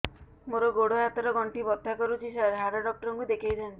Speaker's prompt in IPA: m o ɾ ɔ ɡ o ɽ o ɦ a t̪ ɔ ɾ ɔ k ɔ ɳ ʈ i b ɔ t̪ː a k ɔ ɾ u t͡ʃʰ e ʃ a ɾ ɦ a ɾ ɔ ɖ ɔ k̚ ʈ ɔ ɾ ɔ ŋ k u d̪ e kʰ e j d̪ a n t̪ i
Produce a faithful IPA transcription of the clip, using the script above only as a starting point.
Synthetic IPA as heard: m o ɾ ɔ ɡ o ɽ o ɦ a t̪ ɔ ɾ ɔ ɡ ɔ ɳ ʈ i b ɔ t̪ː a k ɔ ɾ u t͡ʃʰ i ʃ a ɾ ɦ a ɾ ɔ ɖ ɔ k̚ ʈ ɔ ɾ ɔ ŋ k u d̪ e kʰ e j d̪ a n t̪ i